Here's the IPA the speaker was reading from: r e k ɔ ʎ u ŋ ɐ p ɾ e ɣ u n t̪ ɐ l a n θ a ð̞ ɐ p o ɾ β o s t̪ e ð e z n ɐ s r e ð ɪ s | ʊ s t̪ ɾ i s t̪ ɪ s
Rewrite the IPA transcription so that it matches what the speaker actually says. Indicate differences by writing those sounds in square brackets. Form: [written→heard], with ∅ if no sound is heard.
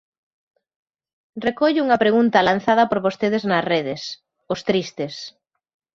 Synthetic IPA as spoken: r e k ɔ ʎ u ŋ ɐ p ɾ e ɣ u n t̪ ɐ l a n θ a ð̞ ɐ p o ɾ β o s t̪ e ð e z n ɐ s r e ð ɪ s | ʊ s t̪ ɾ i s t̪ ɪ s

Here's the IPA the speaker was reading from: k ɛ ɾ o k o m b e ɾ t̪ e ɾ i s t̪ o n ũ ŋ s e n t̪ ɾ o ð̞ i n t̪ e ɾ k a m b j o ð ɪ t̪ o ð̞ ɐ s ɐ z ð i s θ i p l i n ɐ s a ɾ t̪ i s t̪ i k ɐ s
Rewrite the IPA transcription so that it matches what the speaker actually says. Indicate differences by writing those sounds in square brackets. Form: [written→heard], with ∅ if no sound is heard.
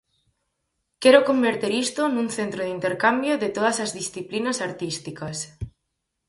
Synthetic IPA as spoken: k ɛ ɾ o k o m b e ɾ t̪ e ɾ i s t̪ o n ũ ŋ [s→θ] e n t̪ ɾ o ð̞ i n t̪ e ɾ k a m b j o ð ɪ t̪ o ð̞ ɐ s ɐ z ð i s θ i p l i n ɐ s a ɾ t̪ i s t̪ i k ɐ s

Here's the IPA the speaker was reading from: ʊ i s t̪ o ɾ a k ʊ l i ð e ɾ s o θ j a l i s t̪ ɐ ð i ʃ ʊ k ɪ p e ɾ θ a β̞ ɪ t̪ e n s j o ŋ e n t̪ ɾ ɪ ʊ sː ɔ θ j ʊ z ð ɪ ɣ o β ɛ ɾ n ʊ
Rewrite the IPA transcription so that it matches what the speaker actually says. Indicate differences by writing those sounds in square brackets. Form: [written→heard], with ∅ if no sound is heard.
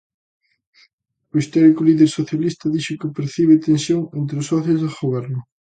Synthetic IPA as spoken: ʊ i s t̪ [o→ɔ] ɾ [a→i] k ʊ l i ð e ɾ s o θ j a l i s t̪ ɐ ð i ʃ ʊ k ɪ p e ɾ θ [a→i] β̞ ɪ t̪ e n s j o ŋ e n t̪ ɾ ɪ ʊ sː ɔ θ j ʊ z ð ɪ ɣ o β ɛ ɾ n ʊ

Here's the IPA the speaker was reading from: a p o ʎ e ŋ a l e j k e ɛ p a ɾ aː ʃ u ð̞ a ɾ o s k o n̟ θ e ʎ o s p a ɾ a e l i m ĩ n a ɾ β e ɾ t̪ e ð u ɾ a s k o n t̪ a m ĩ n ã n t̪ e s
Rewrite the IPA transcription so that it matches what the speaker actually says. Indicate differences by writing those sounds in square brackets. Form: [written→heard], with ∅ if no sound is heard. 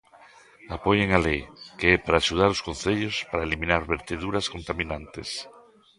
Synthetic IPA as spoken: a p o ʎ e ŋ a l e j k e ɛ p a ɾ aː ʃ u ð̞ a ɾ o s k o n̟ θ e ʎ o s p a ɾ a e l i m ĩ n a ɾ β e ɾ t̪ e ð u ɾ a s k o n t̪ a m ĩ n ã n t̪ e s

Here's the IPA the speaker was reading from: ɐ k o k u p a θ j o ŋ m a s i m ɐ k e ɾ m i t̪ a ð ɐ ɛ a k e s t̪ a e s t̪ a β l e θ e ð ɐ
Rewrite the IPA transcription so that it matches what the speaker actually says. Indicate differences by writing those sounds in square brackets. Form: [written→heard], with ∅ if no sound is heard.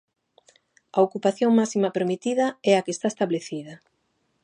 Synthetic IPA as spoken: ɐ [k→∅] o k u p a θ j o ŋ m a s i m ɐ [k→p] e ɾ m i t̪ [a→i] ð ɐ ɛ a k e s t̪ a e s t̪ a β l e θ [e→i] ð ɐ

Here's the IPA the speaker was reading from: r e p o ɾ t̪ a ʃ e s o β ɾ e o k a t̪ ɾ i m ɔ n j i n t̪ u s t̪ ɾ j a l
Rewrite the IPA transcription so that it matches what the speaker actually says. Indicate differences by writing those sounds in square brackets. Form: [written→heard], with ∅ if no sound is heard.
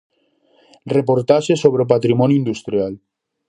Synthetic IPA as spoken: r e p o ɾ t̪ a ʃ e s o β ɾ e o [k→p] a t̪ ɾ i m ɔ n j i n [t̪→d̪] u s t̪ ɾ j a l

